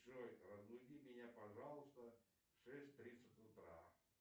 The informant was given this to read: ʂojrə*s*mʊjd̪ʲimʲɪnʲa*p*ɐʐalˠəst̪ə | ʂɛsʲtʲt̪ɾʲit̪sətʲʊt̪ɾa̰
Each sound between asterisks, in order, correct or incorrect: incorrect: z, correct

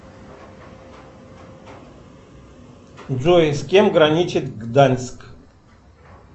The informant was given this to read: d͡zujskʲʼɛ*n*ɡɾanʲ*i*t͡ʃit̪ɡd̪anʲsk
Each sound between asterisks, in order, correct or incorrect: incorrect: m, correct

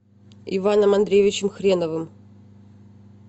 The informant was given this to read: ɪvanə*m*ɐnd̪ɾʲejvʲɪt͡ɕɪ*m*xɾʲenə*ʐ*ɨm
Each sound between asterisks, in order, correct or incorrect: correct, correct, incorrect: v

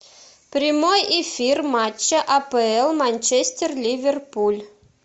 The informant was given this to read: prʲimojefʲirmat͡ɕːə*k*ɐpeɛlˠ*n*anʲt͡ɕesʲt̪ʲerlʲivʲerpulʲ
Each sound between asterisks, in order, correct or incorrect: incorrect: ʔ, incorrect: m

